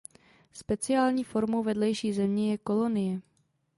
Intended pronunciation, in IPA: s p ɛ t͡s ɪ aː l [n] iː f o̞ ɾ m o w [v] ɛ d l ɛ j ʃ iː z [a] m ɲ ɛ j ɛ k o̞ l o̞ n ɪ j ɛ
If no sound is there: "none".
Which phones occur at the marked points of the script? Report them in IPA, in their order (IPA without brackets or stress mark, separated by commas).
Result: ɲ, v, ɛ